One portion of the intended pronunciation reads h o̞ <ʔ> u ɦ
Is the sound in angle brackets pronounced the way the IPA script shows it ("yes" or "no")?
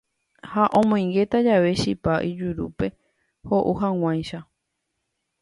yes